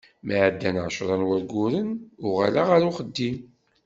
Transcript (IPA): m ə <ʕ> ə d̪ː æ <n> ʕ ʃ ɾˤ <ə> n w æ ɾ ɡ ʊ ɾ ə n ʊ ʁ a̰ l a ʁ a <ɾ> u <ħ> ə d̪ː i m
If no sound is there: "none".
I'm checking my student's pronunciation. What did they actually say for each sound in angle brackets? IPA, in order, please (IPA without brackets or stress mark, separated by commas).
ʕ, n, ɑ, ɾ, χ